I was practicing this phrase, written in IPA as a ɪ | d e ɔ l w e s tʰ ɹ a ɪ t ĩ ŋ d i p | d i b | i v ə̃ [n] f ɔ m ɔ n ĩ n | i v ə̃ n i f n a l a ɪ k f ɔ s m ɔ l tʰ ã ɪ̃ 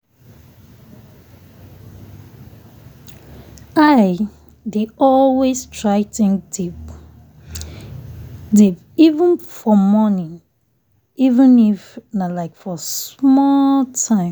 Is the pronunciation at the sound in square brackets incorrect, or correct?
correct